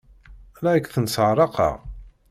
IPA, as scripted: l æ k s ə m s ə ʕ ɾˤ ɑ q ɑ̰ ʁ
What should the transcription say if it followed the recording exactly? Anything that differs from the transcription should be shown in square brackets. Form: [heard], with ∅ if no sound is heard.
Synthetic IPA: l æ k [θ] ə [n] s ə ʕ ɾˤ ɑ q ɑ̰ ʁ